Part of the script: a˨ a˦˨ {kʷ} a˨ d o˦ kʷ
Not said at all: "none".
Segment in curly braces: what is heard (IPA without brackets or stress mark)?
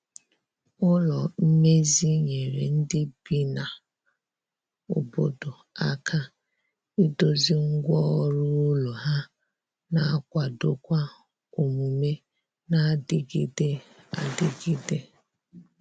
kʷ